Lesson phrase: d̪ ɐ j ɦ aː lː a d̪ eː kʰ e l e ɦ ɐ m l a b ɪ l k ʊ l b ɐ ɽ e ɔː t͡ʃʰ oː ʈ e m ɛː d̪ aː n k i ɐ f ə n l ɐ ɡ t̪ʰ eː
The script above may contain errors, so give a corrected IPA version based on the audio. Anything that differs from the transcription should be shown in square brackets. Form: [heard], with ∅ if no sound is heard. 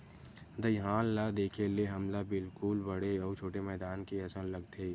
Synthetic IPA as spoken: d̪ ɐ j ɦ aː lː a d̪ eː kʰ e l e ɦ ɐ m l a b ɪ l k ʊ l b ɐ ɽ e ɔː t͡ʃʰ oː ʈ e m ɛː d̪ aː n k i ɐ [s] ə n l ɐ ɡ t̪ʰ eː